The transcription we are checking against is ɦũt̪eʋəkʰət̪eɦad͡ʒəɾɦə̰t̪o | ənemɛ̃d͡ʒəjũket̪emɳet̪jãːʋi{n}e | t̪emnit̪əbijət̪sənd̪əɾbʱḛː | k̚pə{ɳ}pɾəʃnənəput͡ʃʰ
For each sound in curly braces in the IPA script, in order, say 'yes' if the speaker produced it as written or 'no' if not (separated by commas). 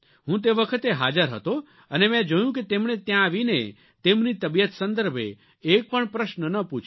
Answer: yes, yes